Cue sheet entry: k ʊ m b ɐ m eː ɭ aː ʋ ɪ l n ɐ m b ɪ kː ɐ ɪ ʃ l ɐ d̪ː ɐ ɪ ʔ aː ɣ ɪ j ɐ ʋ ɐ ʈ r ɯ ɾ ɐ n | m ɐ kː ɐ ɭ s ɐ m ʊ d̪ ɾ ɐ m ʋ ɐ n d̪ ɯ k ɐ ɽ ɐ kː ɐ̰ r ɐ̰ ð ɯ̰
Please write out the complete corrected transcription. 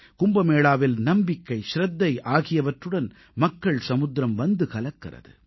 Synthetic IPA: k ʊ m b ɐ m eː ɭ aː ʋ ɪ l n ɐ m b ɪ kː ɐ ɪ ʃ ɾ ɐ d̪ː ɐ ɪ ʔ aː ɣ ɪ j ɐ ʋ ɐ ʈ r ɯ ɽ ɐ n | m ɐ kː ɐ ɭ s ɐ m ʊ d̪ ɾ ɐ m ʋ ɐ n d̪ ɯ k ɐ l ɐ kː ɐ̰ r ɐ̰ ð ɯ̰